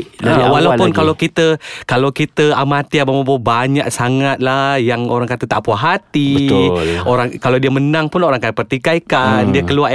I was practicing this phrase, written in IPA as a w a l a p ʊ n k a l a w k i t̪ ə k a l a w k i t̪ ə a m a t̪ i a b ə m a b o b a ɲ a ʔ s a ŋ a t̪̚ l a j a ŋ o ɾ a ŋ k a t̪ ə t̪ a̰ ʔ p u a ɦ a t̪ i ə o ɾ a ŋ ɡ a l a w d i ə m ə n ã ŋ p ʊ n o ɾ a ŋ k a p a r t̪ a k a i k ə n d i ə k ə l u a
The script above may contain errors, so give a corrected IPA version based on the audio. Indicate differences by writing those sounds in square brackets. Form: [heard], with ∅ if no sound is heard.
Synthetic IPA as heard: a w a l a p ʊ n k a l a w k i t̪ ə k a l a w k i t̪ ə a m a t̪ i a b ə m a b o b a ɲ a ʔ s a ŋ a t̪̚ l a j a ŋ o ɾ a ŋ k a t̪ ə t̪ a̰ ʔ p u a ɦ a t̪ i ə o ɾ a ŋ [k] a l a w d i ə m ə n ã ŋ p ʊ n o ɾ a ŋ k a p [ə] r t̪ [i] k a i k [a] n d i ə k ə l u a